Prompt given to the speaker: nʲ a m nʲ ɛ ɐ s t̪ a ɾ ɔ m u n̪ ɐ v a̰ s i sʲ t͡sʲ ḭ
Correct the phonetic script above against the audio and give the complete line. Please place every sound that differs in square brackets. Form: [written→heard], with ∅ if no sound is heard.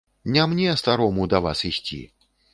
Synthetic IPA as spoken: nʲ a m nʲ ɛ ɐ s t̪ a ɾ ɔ m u [n̪→d̪] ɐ v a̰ s i sʲ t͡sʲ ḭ

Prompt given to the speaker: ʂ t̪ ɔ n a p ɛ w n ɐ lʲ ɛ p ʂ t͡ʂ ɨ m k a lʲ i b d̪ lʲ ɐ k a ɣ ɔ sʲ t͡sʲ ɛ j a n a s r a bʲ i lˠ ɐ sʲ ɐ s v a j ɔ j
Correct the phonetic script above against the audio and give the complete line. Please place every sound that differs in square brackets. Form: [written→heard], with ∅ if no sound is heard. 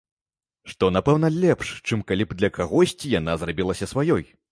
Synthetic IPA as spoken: ʂ t̪ ɔ n a p ɛ w n ɐ lʲ ɛ p ʂ t͡ʂ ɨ m k a lʲ i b d̪ lʲ ɐ k a ɣ ɔ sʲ t͡sʲ [ɛ→i] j a n a [s→z] r a bʲ i lˠ ɐ sʲ ɐ s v a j ɔ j

